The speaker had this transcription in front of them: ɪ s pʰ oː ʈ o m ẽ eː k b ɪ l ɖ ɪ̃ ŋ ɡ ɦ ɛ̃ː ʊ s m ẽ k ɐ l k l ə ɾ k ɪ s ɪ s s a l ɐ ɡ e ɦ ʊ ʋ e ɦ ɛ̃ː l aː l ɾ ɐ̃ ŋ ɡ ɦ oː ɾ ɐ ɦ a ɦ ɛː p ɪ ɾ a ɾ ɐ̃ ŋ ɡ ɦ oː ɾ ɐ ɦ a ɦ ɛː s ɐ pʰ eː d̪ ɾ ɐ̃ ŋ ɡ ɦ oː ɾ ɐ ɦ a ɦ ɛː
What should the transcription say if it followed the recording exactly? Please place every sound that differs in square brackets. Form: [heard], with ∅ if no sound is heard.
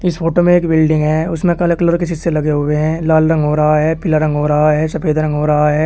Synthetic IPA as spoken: ɪ s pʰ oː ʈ o m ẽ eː k b ɪ l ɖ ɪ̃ ŋ ɡ ɦ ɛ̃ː ʊ s m ẽ k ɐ l k l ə ɾ k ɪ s ɪ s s [e] l ɐ ɡ e ɦ ʊ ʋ e ɦ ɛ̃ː l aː l ɾ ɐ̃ ŋ ɡ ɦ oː ɾ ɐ ɦ a ɦ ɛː p ɪ [l] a ɾ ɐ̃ ŋ ɡ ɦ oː ɾ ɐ ɦ a ɦ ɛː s ɐ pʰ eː d̪ ɾ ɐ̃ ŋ ɡ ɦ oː ɾ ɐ ɦ a ɦ ɛː